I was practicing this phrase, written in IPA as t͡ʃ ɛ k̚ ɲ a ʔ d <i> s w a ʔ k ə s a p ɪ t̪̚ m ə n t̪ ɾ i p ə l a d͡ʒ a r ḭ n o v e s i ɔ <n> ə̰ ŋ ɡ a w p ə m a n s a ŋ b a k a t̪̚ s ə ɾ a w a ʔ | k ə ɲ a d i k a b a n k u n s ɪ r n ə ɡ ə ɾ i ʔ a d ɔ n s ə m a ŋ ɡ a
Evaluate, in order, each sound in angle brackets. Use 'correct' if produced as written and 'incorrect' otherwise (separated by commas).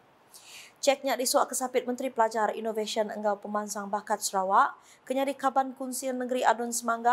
correct, correct